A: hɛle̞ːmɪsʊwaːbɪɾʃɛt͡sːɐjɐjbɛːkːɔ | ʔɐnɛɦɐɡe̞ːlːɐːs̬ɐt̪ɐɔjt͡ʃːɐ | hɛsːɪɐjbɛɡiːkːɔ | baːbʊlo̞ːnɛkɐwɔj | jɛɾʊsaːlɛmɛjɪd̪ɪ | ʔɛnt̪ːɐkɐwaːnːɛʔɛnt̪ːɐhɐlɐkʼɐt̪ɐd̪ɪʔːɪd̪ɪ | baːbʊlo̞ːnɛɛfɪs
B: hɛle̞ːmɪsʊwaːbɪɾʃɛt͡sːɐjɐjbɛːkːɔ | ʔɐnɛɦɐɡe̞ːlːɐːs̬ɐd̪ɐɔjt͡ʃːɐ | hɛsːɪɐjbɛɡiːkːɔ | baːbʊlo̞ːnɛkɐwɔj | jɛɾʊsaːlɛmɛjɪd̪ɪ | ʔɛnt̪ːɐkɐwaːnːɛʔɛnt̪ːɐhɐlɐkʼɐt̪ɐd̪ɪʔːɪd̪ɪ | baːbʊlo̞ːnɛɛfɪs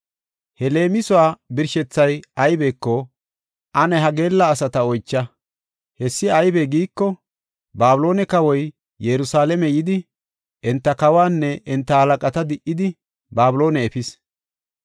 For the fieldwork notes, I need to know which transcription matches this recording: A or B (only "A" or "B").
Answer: A